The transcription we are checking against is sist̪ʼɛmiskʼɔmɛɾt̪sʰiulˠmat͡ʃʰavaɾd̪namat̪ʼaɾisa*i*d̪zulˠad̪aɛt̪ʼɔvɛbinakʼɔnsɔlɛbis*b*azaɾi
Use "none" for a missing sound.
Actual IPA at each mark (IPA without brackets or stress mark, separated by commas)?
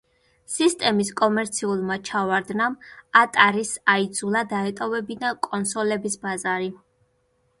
i, b